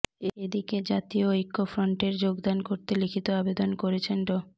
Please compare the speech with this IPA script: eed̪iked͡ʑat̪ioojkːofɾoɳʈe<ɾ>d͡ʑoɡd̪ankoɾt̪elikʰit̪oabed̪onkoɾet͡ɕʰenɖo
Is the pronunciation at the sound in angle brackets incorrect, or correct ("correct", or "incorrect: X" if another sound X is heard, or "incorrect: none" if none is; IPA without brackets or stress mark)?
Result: correct